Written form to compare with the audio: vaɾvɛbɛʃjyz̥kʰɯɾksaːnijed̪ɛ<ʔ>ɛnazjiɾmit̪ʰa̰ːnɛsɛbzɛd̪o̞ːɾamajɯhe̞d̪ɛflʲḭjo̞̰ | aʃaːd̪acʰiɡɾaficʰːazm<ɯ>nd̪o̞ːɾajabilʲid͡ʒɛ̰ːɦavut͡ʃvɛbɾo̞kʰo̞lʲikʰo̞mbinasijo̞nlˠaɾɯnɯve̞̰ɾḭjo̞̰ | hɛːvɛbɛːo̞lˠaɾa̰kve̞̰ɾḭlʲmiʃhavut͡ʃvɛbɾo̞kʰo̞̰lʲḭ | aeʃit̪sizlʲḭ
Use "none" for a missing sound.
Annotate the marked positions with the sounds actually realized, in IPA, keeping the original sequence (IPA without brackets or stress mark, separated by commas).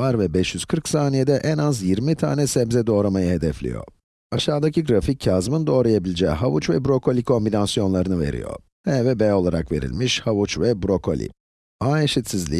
ʔ, ɯ